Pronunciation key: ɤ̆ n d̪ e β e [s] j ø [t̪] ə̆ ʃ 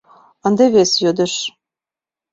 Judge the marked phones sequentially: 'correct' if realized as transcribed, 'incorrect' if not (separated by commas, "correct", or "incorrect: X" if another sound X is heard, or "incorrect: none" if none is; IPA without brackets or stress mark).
correct, incorrect: d̪